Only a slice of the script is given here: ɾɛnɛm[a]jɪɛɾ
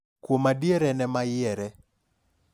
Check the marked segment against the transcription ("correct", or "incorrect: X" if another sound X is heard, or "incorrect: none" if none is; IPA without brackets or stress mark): correct